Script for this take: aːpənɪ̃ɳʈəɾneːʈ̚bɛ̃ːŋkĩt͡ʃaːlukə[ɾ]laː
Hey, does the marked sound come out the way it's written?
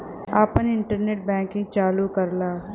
yes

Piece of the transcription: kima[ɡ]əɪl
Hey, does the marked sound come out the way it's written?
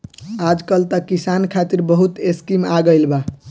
yes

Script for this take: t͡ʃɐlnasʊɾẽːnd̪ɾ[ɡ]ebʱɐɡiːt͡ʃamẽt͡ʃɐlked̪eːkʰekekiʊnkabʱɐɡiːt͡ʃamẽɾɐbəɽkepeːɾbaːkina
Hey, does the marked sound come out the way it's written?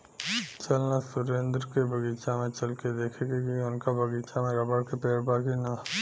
no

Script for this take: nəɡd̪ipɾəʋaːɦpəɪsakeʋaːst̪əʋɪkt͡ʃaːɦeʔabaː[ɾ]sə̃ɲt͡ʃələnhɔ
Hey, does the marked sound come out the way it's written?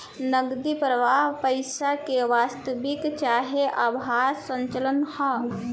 yes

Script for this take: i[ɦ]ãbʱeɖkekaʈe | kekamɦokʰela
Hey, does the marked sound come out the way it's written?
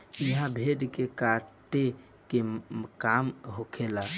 yes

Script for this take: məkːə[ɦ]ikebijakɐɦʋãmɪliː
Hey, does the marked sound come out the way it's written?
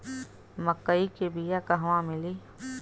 no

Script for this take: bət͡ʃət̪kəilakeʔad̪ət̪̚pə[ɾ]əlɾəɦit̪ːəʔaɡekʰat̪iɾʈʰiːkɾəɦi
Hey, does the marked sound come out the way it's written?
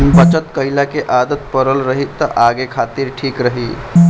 yes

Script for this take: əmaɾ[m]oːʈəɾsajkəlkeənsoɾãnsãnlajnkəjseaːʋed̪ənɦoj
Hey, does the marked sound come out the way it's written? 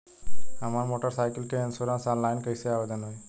yes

